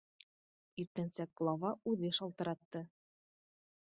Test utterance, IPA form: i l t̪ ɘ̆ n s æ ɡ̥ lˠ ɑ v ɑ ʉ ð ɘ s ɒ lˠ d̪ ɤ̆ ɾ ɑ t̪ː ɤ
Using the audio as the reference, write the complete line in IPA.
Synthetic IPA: i ɾ t̪ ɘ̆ n s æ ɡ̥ lˠ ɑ v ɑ ʉ ð ɘ ʃ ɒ lˠ t̪ ɤ̆ ɾ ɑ t̪ː ɤ